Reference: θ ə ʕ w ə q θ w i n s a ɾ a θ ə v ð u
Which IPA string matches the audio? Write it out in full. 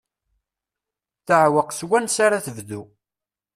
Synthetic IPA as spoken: θ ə ʕ w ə q s w æ n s a ɾ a θ ə v ð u